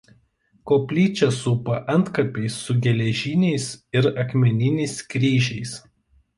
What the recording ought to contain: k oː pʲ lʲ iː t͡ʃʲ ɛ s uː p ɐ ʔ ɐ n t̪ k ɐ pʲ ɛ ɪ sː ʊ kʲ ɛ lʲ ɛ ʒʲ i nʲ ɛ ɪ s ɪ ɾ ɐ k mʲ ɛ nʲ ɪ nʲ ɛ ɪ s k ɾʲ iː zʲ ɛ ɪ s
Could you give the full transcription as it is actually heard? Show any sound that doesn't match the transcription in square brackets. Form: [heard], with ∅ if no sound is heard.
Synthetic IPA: k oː pʲ lʲ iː t͡ʃʲ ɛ s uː p ɐ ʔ ɐ n t̪ k ɐ pʲ ɛ ɪ sː ʊ [ɡʲ] ɛ lʲ ɛ ʒʲ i nʲ ɛ ɪ s ɪ ɾ ɐ k mʲ ɛ nʲ ɪ nʲ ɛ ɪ s k ɾʲ iː [ʒʲ] ɛ ɪ s